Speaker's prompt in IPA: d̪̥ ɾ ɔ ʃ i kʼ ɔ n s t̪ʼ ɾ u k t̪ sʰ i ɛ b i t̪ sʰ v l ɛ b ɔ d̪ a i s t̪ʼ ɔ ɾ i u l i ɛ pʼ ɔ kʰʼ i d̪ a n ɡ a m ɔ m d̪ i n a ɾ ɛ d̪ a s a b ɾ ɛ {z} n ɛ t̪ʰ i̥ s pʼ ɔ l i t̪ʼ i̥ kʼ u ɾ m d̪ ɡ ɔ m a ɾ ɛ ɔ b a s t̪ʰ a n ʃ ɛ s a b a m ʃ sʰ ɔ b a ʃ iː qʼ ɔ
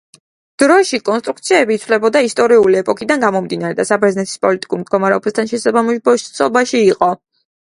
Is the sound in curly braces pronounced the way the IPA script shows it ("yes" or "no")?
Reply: yes